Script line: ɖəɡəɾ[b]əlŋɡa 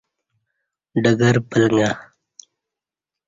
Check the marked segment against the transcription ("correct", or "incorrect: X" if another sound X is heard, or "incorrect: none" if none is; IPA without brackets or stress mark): incorrect: p